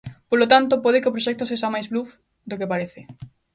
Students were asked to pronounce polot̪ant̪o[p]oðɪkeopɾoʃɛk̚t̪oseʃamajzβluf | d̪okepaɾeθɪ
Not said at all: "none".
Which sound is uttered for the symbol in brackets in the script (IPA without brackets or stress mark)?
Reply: p